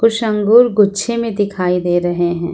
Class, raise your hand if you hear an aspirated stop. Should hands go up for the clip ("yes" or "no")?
yes